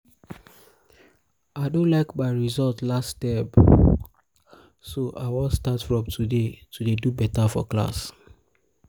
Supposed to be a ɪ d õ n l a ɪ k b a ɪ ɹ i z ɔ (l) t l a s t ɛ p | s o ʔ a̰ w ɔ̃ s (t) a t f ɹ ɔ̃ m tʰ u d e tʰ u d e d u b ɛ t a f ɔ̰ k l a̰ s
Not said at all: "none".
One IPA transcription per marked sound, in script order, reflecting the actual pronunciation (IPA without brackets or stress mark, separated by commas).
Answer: l, t